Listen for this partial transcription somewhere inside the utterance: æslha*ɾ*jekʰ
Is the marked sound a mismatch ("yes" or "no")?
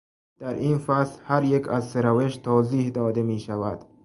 no